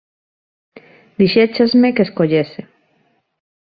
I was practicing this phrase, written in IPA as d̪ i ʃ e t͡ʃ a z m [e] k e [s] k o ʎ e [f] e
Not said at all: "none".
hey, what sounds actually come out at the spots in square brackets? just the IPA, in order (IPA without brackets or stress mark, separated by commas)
e, s, s